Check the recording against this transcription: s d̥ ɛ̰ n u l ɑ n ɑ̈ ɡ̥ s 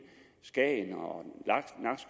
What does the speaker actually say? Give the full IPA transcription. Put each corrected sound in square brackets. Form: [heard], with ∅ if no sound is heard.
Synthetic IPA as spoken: s [ɡ̥] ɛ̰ n [ɒ] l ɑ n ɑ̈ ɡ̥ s